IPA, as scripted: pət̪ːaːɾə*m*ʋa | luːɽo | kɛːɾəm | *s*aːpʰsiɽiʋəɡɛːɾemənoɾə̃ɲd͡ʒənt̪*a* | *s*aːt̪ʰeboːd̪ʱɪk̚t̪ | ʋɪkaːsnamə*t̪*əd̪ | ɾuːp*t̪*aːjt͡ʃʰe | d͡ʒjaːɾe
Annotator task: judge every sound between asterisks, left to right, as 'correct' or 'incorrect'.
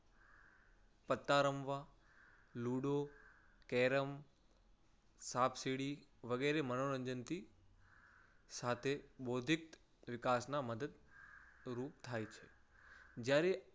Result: correct, correct, incorrect, correct, incorrect, incorrect

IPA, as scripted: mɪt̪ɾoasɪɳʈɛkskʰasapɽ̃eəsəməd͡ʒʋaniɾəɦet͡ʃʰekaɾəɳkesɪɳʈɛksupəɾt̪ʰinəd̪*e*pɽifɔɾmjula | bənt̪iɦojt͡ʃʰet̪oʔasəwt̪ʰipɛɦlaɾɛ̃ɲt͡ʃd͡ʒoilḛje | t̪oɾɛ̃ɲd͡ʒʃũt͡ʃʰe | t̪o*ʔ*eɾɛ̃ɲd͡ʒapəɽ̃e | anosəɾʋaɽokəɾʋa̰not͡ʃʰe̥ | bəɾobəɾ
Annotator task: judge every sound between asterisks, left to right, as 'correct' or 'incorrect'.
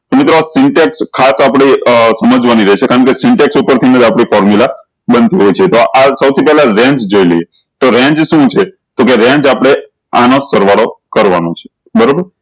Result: incorrect, incorrect

